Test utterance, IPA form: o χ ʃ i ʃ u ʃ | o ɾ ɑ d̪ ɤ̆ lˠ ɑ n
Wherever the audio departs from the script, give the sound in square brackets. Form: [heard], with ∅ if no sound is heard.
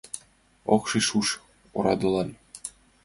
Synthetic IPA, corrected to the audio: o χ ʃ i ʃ u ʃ | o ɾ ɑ d̪ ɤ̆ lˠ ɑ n